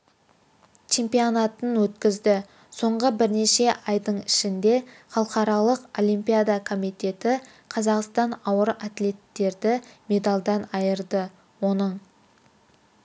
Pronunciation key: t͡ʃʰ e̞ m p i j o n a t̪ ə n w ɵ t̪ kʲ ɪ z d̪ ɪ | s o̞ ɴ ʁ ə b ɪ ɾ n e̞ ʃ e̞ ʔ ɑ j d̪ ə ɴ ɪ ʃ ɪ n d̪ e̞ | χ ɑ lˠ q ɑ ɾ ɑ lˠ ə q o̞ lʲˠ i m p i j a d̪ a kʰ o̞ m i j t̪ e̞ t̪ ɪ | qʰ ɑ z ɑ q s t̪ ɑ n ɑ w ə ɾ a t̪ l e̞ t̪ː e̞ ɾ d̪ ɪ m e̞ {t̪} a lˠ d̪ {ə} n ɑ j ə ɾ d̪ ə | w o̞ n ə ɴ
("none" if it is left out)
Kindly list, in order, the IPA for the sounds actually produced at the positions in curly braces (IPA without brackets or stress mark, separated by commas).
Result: d̪, ɑ